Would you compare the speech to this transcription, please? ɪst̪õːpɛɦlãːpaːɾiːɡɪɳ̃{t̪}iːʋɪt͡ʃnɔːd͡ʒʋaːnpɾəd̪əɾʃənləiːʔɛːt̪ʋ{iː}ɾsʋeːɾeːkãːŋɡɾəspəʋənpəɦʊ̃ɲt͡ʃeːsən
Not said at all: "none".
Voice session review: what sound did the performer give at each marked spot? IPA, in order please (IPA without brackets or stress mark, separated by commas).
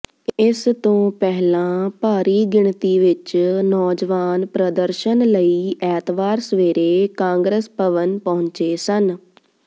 t̪, aː